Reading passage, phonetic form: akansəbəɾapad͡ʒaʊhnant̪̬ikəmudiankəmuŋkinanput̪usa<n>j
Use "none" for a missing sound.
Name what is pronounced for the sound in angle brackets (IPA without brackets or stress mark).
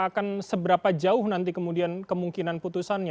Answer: n